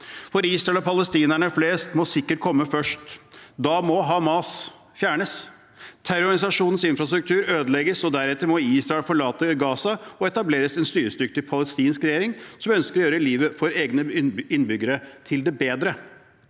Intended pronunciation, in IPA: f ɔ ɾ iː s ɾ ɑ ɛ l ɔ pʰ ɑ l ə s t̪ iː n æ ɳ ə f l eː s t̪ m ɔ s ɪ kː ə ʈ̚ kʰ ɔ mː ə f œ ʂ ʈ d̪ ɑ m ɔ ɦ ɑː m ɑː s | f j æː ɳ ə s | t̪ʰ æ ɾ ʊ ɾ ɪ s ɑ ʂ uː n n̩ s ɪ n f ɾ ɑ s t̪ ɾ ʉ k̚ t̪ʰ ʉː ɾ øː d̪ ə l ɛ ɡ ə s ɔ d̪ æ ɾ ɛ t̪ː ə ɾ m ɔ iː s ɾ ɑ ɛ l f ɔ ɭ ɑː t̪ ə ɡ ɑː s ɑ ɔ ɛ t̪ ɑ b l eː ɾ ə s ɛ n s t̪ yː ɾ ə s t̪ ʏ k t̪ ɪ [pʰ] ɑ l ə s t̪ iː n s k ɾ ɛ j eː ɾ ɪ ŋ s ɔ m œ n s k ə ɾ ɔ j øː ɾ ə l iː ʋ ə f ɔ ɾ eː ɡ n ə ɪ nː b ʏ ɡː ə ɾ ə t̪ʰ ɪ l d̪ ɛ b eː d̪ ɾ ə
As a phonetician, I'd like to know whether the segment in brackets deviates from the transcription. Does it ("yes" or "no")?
no